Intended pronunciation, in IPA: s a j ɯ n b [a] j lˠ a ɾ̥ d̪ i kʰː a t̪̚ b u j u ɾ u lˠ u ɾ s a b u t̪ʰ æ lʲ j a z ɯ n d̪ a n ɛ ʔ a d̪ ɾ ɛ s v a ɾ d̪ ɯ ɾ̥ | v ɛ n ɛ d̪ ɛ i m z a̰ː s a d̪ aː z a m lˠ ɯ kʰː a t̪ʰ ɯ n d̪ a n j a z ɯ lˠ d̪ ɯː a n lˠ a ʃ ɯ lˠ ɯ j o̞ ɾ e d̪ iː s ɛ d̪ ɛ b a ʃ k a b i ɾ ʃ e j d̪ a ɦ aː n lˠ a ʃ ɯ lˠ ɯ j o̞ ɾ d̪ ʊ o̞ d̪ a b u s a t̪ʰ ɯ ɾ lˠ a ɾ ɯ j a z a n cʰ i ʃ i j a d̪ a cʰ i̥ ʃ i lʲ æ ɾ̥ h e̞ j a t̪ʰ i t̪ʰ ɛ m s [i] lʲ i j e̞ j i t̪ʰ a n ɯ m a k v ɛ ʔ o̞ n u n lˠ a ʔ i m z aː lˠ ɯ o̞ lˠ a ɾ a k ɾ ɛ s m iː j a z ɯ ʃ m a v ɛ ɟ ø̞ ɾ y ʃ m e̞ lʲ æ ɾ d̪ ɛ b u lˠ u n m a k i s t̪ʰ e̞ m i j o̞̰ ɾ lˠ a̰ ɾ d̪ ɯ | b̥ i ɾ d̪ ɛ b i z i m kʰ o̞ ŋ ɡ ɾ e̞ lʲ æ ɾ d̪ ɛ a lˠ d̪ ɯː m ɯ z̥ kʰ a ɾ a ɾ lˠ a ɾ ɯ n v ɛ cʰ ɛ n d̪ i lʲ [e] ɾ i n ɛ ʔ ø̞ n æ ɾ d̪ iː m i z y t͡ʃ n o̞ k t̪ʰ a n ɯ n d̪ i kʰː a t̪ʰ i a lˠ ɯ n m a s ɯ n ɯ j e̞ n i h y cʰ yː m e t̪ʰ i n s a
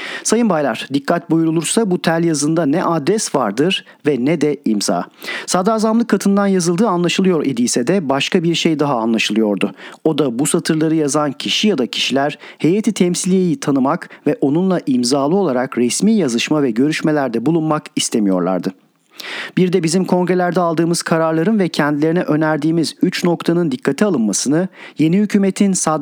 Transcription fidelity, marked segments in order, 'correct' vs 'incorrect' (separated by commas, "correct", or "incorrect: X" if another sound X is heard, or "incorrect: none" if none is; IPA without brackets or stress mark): correct, correct, correct